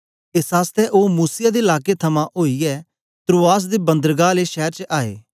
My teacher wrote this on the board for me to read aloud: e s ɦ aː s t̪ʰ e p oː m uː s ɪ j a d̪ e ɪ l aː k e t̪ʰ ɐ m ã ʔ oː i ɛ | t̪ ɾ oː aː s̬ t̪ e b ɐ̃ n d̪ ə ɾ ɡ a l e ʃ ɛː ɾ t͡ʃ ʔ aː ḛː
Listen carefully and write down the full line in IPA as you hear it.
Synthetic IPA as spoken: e s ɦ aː s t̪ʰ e ʔ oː m uː s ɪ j a d̪ e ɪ l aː k e t̪ʰ ɐ m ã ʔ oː i ɛ | t̪ ɾ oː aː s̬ d̪ e b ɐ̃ n d̪ ə ɾ ɡ a l e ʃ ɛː ɾ t͡ʃ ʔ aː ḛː